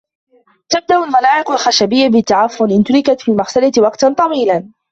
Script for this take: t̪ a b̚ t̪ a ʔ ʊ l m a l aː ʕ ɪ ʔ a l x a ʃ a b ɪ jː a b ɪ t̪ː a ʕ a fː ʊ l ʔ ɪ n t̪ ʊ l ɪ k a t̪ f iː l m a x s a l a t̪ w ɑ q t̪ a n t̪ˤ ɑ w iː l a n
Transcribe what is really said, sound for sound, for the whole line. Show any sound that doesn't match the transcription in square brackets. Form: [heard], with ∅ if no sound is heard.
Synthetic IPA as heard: t̪ a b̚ [d̪] a ʔ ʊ l m a l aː ʕ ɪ [q] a l x a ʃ a b ɪ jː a b ɪ t̪ː a ʕ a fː ʊ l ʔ ɪ n t̪ ʊ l ɪ k a t̪ f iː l m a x s a l a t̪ w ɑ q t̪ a n t̪ˤ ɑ w iː l a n